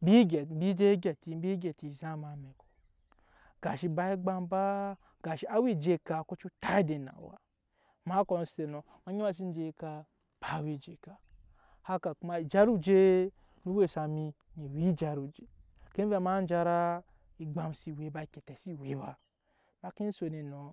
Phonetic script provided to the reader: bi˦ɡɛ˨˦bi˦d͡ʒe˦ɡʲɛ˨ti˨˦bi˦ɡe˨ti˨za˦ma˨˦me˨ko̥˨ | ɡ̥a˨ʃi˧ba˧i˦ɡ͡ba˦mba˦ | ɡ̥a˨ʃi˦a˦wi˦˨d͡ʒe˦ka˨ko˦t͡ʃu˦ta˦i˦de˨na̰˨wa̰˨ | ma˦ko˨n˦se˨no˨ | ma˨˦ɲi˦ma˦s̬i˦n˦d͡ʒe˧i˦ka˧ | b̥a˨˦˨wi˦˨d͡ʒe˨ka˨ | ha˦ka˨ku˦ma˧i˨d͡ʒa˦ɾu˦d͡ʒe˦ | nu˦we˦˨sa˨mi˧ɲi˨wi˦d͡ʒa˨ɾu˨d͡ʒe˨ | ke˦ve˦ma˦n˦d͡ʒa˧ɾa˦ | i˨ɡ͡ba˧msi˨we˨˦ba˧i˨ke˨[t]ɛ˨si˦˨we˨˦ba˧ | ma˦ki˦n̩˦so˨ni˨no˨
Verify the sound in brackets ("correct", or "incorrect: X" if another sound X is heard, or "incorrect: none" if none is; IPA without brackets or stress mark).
correct